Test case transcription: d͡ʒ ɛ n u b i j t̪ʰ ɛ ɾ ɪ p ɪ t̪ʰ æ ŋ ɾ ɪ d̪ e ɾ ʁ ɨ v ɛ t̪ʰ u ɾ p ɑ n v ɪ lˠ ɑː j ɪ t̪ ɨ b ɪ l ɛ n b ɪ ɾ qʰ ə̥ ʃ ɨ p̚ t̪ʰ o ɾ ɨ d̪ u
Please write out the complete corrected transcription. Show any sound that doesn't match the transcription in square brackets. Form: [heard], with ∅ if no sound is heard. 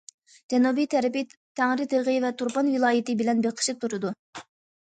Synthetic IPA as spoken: d͡ʒ ɛ n u b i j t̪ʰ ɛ ɾ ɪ p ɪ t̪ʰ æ ŋ ɾ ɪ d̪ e ɾ ʁ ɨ v ɛ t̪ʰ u ɾ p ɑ n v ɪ lˠ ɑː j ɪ t̪ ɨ b ɪ l ɛ n b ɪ ɾ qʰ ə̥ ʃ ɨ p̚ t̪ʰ [u] ɾ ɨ d̪ u